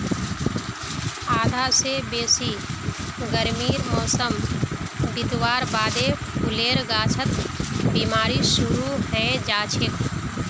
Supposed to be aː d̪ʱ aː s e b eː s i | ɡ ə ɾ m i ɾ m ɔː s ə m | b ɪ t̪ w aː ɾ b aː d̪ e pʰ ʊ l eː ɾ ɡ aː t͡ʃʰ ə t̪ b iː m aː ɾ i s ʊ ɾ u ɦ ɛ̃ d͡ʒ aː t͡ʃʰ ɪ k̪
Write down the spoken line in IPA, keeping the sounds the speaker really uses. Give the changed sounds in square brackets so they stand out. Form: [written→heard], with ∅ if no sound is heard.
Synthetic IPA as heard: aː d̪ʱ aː s e b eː s i | ɡ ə ɾ m [i→iː] ɾ m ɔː s ə m | b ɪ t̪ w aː ɾ b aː d̪ e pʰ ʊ l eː ɾ ɡ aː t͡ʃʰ ə t̪ b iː m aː ɾ i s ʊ ɾ u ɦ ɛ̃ d͡ʒ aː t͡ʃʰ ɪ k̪